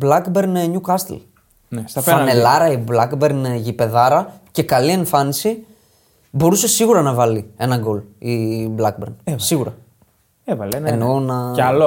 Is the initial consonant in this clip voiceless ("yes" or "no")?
no